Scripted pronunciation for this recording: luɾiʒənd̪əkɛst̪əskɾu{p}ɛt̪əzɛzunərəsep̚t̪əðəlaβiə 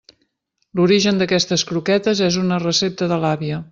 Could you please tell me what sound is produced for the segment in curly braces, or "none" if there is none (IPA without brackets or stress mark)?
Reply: k